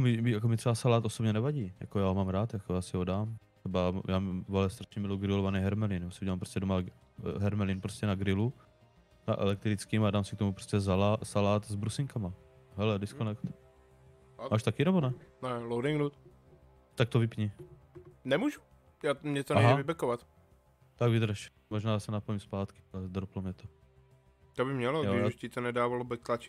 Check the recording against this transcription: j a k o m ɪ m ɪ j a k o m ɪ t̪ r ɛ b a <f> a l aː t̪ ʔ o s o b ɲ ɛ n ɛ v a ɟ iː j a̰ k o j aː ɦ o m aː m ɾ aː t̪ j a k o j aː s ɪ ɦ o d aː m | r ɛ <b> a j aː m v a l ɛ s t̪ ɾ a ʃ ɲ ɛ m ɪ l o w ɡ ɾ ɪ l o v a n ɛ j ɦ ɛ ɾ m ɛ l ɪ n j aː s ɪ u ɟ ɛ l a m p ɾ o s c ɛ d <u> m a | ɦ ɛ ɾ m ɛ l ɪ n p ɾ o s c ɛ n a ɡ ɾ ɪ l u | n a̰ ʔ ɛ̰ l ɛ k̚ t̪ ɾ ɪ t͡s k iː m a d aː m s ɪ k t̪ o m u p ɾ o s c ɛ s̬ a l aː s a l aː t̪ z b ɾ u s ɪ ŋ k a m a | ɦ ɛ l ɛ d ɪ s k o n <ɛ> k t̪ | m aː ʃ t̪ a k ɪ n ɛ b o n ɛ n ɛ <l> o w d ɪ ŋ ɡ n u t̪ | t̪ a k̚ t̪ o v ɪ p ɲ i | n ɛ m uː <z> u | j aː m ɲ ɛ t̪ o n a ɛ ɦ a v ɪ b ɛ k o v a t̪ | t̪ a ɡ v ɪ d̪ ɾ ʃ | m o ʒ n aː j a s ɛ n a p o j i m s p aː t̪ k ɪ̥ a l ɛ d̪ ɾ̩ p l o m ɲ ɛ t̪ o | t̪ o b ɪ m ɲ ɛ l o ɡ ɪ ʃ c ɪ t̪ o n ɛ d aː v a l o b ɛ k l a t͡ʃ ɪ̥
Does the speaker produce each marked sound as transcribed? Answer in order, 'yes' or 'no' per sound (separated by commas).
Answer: no, yes, no, yes, yes, no